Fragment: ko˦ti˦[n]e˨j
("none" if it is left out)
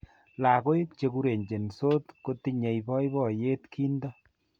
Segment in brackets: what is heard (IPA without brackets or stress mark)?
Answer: ɲ